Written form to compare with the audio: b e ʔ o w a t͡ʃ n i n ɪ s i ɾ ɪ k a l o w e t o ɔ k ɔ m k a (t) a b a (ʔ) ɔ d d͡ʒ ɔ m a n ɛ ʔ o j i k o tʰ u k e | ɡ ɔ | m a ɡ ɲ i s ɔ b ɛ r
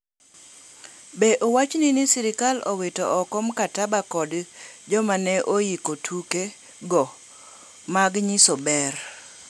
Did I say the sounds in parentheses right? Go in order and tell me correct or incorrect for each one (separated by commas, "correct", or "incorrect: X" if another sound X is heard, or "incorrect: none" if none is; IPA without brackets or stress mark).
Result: correct, incorrect: k